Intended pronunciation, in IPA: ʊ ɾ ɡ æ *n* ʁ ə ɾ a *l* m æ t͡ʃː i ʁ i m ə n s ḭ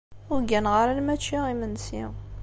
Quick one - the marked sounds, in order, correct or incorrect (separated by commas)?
correct, correct